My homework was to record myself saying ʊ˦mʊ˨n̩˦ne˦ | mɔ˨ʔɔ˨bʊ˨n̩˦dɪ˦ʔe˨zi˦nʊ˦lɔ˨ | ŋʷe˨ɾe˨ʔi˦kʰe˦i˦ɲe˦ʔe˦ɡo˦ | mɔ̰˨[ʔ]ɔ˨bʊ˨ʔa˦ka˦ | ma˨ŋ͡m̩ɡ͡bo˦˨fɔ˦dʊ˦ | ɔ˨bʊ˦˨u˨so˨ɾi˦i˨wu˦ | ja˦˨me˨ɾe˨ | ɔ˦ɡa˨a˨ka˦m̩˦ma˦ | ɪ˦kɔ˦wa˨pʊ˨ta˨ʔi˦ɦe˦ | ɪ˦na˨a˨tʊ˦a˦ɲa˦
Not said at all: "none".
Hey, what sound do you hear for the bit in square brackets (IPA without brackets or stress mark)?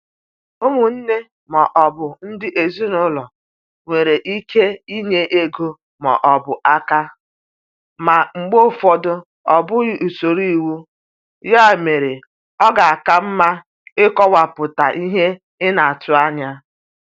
ʔ